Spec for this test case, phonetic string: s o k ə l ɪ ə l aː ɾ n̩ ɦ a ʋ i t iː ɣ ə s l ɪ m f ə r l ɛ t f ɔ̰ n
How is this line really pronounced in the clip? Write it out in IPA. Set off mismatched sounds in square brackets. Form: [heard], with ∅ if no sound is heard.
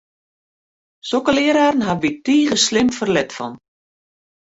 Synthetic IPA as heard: s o k ə l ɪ ə [ɾ] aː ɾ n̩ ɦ a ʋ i t iː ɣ ə s l ɪ m f ə r l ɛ t f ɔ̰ n